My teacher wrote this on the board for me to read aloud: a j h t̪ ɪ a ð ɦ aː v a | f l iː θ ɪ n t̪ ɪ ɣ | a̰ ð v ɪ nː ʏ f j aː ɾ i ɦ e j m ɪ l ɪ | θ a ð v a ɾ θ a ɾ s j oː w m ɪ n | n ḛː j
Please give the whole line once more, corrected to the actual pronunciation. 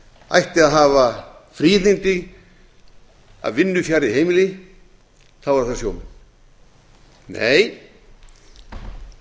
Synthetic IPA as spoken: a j h t̪ ɪ a ð ɦ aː v a | f ɾ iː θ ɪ n t̪ ɪ ɣ | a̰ ð v ɪ nː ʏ f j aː ɾ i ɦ e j m ɪ l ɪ | θ a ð v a ɾ θ a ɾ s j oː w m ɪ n | n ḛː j